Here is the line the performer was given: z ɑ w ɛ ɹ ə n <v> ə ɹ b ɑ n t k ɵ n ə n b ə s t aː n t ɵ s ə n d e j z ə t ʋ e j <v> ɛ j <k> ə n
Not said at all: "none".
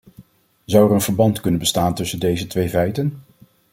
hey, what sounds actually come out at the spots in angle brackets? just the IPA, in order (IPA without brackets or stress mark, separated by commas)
v, v, t